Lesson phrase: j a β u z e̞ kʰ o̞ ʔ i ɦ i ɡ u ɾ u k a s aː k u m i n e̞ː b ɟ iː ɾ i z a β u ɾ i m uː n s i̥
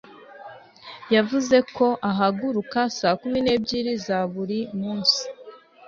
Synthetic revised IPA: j a v u z e̞ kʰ o̞ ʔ a ɦ a ɡ u ɾ u k a s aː k u m i n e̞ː b ɟ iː ɾ i z a β u ɾ i m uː n s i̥